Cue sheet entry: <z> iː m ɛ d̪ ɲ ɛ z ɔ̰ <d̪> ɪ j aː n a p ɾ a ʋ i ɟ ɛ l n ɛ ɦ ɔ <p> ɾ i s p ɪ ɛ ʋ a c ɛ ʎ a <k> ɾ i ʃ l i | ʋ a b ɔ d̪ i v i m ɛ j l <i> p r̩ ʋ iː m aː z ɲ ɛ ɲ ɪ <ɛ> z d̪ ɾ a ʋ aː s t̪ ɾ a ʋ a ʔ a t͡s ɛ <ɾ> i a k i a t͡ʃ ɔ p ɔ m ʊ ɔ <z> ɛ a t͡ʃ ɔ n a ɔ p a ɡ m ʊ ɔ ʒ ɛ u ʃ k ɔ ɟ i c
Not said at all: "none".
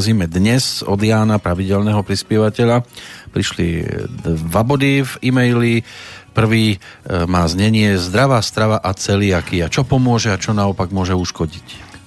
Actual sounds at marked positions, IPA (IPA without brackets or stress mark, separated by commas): z, d̪, p, p, i, ɛ, l, ʒ